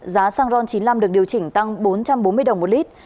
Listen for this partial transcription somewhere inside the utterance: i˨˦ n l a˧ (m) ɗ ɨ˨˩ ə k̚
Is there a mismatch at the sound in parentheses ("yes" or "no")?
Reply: no